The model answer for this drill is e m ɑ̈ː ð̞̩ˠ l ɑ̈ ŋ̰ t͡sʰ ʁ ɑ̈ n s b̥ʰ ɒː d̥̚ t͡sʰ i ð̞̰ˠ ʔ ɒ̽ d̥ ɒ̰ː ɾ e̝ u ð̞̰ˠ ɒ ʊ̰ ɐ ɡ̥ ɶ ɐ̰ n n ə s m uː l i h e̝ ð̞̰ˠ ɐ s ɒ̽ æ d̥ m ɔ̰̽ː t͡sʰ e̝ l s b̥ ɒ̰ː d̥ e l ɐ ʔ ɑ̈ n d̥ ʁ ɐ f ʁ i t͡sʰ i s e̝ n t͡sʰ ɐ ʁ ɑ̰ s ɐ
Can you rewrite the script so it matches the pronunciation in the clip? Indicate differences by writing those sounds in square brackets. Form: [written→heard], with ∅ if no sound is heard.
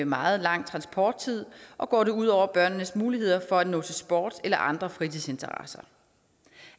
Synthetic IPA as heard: e m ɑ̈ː ð̞̩ˠ l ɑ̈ ŋ̰ t͡sʰ ʁ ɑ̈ n s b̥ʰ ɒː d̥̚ t͡sʰ i ð̞̰ˠ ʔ ɒ̽ [d̥→ɡ̥] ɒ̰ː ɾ e̝ u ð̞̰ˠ ɒ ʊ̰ ɐ [ɡ̥→b̥] ɶ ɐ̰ n n ə s m uː l i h e̝ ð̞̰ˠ ɐ [s→f] ɒ̽ æ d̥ [m→n] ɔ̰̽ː t͡sʰ e̝ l s b̥ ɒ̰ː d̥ e l ɐ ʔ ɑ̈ n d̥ ʁ ɐ f ʁ i t͡sʰ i s e̝ n t͡sʰ ɐ ʁ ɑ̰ s ɐ

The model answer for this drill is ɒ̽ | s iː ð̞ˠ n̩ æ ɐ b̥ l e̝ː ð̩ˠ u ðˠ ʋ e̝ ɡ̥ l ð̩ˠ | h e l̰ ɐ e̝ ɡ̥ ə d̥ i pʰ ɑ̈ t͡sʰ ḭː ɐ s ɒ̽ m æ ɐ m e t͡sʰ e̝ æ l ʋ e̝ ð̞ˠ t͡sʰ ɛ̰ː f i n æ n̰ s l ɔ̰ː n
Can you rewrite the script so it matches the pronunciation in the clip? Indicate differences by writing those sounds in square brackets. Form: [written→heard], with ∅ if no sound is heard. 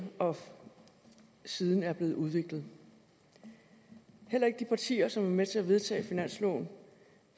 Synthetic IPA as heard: ɒ̽ | s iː ð̞ˠ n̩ æ ɐ b̥ l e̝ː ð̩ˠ u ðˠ ʋ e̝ ɡ̥ l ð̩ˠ | h e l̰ ɐ e̝ ɡ̥ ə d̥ i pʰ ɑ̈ t͡sʰ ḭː ɐ s ɒ̽ m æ ɐ m e t͡sʰ e̝ æ [l→∅] ʋ e̝ ð̞ˠ t͡sʰ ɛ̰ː f i n æ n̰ s l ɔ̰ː n

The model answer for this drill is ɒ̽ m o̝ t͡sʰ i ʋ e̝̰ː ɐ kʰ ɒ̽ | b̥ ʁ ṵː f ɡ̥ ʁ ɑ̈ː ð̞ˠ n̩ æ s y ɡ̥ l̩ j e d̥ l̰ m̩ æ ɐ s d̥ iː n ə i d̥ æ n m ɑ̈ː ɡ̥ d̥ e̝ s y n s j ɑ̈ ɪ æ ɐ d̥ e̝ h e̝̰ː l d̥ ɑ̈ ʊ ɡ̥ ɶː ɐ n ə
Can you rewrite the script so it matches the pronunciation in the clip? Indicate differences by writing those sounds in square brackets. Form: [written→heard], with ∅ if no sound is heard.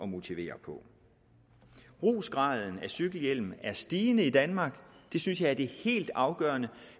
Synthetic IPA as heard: ɒ̽ m o̝ t͡sʰ i ʋ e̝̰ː ɐ [kʰ→pʰ] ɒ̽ | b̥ ʁ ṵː [f→s] ɡ̥ ʁ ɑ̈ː ð̞ˠ n̩ æ s y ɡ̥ l̩ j e [d̥→∅] l̰ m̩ æ ɐ s d̥ iː n ə i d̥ æ n m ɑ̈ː ɡ̥ d̥ e̝ s y n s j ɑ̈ ɪ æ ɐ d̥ e̝ h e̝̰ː l d̥ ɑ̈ ʊ ɡ̥ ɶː ɐ n ə

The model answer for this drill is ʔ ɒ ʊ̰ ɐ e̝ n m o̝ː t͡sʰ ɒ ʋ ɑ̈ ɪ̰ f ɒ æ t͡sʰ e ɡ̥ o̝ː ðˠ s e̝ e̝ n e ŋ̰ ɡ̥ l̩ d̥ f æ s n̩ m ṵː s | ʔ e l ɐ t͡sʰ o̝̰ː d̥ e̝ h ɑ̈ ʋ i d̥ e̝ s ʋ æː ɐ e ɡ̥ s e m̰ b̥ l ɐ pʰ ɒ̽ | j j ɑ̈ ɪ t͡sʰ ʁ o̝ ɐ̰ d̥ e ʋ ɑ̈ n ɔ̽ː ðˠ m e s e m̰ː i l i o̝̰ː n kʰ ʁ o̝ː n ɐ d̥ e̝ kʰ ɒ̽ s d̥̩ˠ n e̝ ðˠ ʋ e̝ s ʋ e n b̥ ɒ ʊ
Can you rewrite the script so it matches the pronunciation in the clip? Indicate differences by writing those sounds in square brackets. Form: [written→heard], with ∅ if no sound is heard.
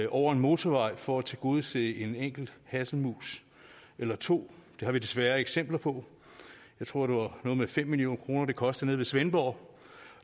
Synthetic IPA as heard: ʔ ɒ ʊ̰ ɐ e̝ n m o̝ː t͡sʰ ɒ ʋ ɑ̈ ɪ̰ f ɒ æ t͡sʰ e ɡ̥ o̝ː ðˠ s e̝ e̝ n e ŋ̰ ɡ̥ l̩ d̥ [f→h] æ s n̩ m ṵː s | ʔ e l ɐ t͡sʰ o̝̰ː d̥ e̝ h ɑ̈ ʋ i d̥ e̝ s ʋ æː ɐ e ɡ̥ s e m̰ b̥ l ɐ pʰ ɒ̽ | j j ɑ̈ ɪ t͡sʰ ʁ o̝ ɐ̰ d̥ e ʋ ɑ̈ n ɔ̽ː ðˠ m e [s→f] e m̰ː i l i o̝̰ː n kʰ ʁ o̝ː n ɐ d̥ e̝ kʰ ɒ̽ s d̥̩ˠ n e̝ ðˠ ʋ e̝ s ʋ e n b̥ ɒ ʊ

